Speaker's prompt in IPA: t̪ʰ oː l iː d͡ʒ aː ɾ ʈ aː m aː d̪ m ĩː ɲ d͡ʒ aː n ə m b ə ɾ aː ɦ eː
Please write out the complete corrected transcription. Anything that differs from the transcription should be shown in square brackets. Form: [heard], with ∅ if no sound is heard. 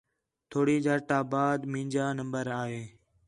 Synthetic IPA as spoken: t̪ʰ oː [ɽ] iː d͡ʒ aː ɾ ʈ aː [b] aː d̪ m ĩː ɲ d͡ʒ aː n ə m b ə ɾ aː ɦ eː